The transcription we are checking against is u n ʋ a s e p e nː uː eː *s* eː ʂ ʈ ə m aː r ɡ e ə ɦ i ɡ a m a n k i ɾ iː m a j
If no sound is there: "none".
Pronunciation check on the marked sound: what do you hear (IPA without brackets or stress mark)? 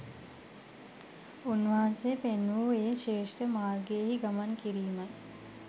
ʃ